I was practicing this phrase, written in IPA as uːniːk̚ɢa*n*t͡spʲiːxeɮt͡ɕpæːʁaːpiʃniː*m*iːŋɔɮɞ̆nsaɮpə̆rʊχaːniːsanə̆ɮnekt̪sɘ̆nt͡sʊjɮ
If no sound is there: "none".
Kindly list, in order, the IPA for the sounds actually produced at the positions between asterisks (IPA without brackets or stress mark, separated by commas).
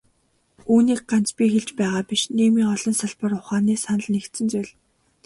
n, m